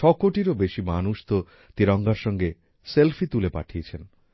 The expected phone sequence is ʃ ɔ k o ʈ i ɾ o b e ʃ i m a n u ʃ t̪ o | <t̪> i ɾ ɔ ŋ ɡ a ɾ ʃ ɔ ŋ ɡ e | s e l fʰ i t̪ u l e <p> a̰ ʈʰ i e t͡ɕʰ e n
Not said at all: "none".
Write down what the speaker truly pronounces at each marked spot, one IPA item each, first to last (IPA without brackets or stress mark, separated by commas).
t̪, p